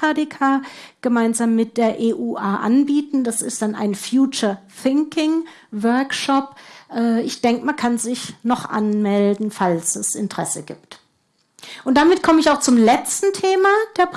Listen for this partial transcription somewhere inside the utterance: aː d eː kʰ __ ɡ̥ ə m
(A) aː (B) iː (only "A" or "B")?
A